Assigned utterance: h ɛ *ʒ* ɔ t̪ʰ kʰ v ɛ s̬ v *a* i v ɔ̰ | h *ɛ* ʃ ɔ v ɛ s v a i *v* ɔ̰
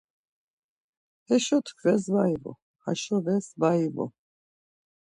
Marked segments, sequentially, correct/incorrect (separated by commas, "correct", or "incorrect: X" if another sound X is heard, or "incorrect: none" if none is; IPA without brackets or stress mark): incorrect: ʃ, correct, incorrect: a, correct